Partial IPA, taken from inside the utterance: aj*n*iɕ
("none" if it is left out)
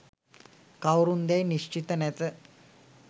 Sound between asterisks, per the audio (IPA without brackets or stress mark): n